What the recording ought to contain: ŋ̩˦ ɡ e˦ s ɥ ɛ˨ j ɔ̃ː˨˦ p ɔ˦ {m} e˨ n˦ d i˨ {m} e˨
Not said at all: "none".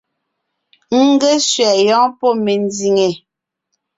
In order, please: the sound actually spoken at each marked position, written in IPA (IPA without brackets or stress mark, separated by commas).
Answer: m, ŋ